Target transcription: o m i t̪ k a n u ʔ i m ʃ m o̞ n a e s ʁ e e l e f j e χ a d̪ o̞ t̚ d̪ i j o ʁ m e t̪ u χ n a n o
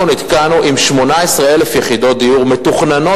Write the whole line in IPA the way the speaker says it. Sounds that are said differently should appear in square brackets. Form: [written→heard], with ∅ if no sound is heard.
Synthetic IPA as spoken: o [m→n] i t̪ k a n u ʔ i m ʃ m o̞ n a e s ʁ e e l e f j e χ [a→i] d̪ o̞ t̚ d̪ i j [o→u] ʁ m e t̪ u χ n a n o